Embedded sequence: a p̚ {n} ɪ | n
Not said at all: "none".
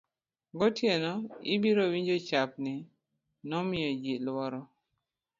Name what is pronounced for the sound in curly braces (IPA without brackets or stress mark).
n